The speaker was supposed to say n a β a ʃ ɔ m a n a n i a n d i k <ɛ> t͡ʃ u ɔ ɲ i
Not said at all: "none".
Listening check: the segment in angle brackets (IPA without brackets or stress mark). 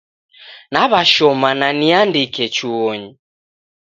ɛ